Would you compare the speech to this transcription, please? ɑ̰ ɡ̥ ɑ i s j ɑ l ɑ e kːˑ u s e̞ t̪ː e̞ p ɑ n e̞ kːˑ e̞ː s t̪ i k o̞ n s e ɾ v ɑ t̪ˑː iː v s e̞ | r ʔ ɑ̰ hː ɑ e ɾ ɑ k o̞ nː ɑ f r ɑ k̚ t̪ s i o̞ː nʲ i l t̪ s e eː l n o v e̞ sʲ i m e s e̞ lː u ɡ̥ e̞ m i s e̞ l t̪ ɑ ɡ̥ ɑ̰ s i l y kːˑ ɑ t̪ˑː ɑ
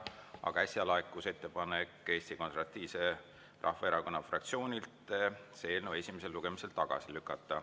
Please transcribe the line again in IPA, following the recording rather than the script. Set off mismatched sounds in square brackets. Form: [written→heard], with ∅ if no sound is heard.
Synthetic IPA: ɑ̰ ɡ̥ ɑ [i→æ] s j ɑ l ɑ e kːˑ u s e̞ t̪ː e̞ p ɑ n e̞ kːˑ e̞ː s t̪ i k o̞ n s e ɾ v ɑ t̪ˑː iː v s e̞ | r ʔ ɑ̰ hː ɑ e ɾ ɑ k o̞ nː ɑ f r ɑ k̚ t̪ s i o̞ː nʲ i l t̪ s e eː l n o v e̞ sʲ i m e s e̞ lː u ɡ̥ e̞ m i s e̞ l t̪ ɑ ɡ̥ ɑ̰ s i l y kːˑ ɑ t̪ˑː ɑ

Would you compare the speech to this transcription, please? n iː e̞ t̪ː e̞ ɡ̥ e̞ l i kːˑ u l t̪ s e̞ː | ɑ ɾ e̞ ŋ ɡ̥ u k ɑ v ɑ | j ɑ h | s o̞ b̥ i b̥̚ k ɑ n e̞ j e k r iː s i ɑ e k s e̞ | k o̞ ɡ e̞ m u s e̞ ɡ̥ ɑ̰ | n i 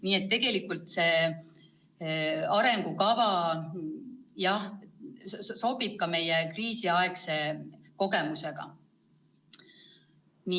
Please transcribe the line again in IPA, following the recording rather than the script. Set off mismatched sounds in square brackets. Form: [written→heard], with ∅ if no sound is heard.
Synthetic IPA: n iː e̞ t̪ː e̞ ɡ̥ e̞ l i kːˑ u l t̪ s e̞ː | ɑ ɾ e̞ ŋ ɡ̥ u k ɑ v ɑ | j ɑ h | s o̞ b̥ i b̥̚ k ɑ [n→m] e̞ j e k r iː s i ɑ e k s e̞ | k o̞ ɡ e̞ m u s e̞ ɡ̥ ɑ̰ | n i

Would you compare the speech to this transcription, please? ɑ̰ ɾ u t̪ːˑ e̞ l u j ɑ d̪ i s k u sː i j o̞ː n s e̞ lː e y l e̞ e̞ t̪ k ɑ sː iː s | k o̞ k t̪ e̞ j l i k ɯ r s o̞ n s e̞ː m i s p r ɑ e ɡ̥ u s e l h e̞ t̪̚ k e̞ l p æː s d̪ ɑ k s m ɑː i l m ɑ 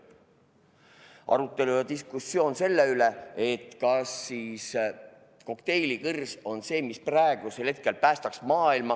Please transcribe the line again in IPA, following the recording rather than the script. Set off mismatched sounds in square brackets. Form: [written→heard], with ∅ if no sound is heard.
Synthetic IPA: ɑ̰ ɾ u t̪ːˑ e̞ l u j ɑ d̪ i s k u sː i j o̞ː n s e̞ lː e y l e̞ e̞ t̪ k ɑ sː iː s | k o̞ k t̪ e̞ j l i k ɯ r s o̞ n s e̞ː m i s p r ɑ e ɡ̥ u s e l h e̞ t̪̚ k e̞ l p æː s [d̪→t̪] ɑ k s m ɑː i l m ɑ

